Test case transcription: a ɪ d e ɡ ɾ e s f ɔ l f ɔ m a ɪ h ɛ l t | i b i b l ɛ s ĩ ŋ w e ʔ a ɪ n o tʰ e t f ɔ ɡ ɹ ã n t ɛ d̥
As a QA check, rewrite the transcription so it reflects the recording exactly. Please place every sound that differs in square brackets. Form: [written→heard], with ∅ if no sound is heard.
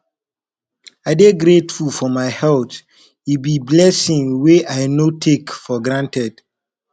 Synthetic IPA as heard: a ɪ d e ɡ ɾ e [s→t] f [ɔ→u] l f ɔ m a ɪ h ɛ l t | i b i b l ɛ s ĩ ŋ w e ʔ a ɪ n o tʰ e [t→k] f ɔ ɡ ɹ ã n t ɛ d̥